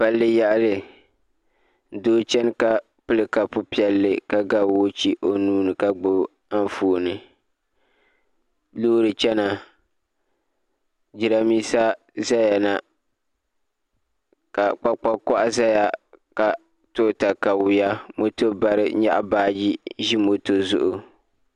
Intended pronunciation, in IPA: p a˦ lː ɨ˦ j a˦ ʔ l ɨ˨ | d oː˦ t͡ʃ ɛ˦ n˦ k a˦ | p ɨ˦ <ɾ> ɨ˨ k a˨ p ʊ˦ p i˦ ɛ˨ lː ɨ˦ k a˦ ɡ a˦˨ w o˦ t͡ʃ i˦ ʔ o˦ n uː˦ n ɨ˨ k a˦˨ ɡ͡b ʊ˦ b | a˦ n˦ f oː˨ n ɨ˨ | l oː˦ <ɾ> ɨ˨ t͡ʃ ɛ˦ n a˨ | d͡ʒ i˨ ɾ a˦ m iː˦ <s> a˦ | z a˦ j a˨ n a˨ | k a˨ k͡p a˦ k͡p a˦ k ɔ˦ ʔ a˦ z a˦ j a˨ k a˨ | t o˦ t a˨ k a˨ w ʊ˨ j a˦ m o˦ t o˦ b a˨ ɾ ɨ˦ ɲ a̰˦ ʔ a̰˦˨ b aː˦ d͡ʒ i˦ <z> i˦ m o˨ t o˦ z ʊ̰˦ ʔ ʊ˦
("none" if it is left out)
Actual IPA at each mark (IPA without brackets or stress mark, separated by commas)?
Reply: l, ɾ, s, ʒ